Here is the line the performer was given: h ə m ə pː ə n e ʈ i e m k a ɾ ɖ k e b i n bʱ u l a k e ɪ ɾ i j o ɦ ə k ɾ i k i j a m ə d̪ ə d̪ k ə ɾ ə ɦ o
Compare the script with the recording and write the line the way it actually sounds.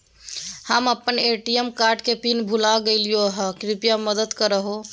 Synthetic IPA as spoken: h ə m ə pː ə n e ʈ i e m k a ɾ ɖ k e p i n bʱ u l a ɡ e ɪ l i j o ɦ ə k ɾ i p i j a m ə d̪ ə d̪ k ə ɾ ə ɦ o